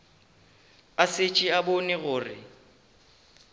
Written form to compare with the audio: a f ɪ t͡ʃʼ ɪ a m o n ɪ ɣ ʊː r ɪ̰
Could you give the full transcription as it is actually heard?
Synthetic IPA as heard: a s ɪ t͡ʃʼ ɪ a b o n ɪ ɣ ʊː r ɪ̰